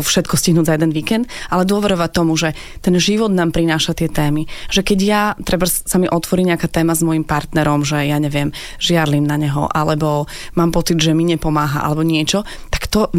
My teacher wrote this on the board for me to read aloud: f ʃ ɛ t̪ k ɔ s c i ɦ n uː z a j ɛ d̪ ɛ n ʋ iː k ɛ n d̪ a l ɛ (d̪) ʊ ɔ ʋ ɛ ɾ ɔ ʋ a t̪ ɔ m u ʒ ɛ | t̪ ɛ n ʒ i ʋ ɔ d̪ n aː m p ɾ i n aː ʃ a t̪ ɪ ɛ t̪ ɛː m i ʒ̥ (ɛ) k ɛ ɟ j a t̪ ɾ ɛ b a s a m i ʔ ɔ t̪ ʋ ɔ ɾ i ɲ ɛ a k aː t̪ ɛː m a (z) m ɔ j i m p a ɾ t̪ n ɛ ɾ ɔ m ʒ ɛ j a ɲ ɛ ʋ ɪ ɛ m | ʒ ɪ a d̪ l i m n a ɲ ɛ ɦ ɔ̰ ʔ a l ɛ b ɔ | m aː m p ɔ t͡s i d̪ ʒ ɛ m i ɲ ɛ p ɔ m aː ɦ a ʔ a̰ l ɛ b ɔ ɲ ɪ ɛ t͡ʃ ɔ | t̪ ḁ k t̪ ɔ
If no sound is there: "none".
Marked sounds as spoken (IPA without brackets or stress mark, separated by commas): d̪, ɛ, z